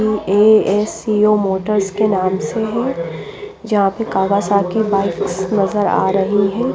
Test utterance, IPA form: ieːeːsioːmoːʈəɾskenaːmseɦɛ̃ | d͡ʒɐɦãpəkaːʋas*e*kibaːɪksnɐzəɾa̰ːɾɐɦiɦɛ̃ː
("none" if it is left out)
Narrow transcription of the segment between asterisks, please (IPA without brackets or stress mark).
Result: a